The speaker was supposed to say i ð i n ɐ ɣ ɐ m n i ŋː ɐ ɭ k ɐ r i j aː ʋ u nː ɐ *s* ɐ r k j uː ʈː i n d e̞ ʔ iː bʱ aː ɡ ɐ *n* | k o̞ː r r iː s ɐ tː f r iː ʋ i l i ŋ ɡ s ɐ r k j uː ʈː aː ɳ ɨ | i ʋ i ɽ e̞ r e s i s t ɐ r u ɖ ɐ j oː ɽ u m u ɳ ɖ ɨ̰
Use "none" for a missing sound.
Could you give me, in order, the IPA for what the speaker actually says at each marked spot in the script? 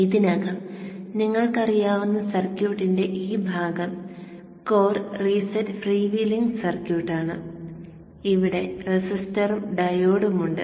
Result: s, m

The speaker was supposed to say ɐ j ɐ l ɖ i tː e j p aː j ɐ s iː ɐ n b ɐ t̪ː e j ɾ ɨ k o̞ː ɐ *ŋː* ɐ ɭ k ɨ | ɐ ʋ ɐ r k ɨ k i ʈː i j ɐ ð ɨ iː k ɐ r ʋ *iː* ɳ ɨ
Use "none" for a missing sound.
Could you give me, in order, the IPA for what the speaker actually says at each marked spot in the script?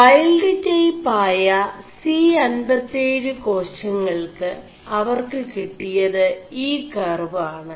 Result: ŋː, aː

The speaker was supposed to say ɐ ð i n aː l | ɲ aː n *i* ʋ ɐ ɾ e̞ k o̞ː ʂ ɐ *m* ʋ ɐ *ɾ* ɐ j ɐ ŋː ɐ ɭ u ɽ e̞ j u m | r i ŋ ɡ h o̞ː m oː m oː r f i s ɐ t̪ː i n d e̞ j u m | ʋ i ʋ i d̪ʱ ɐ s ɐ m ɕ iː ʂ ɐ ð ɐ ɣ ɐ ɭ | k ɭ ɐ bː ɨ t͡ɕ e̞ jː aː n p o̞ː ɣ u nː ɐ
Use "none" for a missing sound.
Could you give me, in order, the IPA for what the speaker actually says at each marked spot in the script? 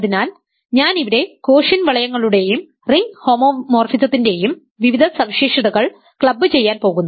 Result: i, n, ɭ

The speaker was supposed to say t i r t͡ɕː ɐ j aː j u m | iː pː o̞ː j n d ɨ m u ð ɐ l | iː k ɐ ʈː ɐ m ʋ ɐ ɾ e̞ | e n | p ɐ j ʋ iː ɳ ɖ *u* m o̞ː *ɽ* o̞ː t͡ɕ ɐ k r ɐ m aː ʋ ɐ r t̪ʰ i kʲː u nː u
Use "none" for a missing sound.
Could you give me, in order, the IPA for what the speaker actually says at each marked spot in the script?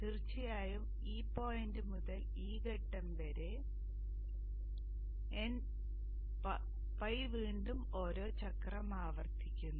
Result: u, ɾ

